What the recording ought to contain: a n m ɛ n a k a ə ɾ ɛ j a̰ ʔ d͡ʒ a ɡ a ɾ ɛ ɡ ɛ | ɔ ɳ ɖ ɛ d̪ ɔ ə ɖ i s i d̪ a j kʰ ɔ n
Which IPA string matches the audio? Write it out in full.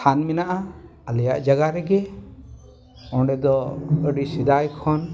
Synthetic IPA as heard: a n m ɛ n a ʔ a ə l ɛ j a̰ ʔ d͡ʒ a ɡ a ɾ ɛ ɡ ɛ | ɔ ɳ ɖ ɛ d̪ ɔ ə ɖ i s i d̪ a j kʰ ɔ n